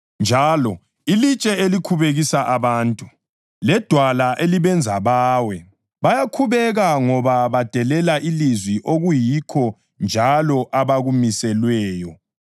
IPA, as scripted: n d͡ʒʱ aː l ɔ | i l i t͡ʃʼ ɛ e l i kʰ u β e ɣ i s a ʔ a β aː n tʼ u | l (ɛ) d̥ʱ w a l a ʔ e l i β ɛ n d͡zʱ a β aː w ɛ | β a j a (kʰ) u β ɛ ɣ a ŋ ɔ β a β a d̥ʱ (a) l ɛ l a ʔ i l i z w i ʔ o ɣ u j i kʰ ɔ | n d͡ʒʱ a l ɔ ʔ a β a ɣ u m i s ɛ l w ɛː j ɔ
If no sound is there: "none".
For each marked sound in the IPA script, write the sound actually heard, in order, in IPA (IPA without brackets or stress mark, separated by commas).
ɛ, kʰ, ɛ